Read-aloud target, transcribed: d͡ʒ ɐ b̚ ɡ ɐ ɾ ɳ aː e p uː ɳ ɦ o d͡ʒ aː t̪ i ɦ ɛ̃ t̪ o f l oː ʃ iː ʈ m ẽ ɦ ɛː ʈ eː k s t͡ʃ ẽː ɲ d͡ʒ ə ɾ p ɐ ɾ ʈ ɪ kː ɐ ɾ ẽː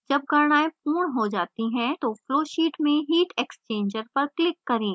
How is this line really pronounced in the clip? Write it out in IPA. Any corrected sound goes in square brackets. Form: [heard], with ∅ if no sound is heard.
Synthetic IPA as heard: d͡ʒ ɐ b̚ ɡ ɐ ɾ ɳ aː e p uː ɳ ɦ o d͡ʒ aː t̪ i ɦ ɛ̃ t̪ o f l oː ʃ iː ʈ m ẽ ɦ [iː] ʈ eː k s t͡ʃ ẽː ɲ d͡ʒ ə ɾ p ɐ ɾ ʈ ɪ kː ɐ ɾ ẽː